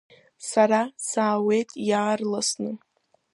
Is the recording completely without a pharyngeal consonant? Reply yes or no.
yes